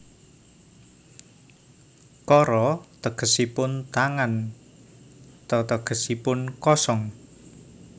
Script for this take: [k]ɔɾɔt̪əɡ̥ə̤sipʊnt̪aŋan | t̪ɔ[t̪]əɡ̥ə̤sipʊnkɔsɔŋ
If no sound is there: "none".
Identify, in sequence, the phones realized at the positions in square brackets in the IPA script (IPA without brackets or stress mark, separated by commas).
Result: k, t̪